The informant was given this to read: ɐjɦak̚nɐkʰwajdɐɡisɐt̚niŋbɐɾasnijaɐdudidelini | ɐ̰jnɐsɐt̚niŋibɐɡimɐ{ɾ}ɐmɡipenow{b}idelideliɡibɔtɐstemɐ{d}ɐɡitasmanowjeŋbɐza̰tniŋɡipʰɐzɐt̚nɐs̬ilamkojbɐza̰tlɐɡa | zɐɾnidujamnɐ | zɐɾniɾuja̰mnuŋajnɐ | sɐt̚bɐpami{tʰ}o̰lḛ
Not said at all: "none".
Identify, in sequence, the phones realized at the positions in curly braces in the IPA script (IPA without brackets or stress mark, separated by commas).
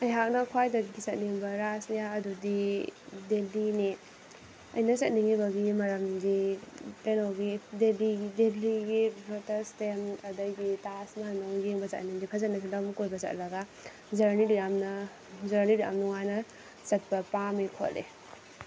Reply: ɾ, ɡ, d, kʰ